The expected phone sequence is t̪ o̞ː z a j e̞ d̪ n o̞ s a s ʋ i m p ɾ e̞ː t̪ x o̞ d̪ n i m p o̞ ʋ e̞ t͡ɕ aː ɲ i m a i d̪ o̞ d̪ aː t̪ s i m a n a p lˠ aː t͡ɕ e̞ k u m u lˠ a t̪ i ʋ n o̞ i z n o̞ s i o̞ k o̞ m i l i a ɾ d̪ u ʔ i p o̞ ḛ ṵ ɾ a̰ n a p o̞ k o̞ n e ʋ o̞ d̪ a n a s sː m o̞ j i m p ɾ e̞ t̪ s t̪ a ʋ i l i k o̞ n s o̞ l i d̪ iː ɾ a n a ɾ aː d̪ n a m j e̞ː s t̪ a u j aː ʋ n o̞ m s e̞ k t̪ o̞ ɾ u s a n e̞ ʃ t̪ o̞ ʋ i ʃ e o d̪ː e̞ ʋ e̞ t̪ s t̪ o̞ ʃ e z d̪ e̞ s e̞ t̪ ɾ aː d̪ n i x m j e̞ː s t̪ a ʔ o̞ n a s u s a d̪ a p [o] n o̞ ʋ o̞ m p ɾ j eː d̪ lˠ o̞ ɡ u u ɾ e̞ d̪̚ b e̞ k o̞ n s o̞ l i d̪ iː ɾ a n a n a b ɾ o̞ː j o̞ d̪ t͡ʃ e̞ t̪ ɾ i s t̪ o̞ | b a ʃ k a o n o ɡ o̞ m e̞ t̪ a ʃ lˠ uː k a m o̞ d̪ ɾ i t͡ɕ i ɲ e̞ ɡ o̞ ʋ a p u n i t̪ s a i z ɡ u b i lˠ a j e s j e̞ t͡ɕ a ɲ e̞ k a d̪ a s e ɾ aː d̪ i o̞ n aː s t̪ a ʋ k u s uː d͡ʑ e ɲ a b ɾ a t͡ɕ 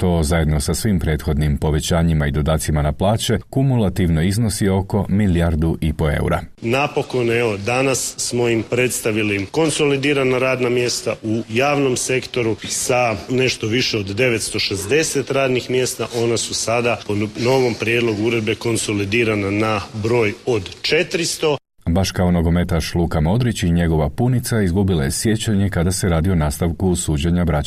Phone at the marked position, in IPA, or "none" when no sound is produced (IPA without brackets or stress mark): o